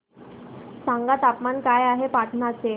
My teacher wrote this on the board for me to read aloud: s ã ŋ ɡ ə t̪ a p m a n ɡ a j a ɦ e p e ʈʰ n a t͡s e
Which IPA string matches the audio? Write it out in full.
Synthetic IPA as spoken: s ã ŋ ɡ a t̪ a p m a n k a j a ɦ e p a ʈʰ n a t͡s e